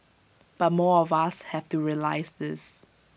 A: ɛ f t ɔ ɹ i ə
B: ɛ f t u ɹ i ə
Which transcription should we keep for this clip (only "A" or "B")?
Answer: B